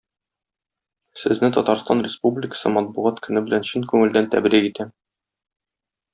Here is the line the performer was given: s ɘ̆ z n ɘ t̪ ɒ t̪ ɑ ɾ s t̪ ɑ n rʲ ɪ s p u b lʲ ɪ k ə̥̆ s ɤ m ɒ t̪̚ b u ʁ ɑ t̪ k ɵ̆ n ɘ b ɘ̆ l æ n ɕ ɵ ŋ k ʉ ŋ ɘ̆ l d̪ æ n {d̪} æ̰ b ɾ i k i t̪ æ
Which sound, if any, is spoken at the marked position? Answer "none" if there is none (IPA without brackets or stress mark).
t̪